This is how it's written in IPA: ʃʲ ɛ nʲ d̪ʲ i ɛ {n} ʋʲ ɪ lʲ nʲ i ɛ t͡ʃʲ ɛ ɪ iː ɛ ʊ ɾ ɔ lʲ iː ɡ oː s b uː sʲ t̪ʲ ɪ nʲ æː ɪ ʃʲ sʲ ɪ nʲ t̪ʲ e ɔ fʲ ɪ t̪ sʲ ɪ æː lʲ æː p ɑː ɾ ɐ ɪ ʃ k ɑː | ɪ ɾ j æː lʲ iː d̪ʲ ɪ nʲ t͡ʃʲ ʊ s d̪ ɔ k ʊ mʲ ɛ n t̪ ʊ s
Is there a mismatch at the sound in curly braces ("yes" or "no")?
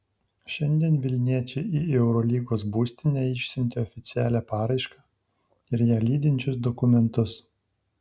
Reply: no